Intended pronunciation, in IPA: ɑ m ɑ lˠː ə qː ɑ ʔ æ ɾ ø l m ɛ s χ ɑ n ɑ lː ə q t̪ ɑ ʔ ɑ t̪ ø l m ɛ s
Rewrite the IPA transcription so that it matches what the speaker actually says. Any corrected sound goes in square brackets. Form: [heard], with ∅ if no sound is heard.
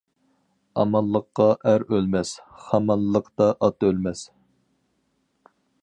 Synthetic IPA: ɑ m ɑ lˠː ə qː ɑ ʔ æ ɾ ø l m ɛ s χ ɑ [m] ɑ lː ə q t̪ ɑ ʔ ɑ t̪ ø l m ɛ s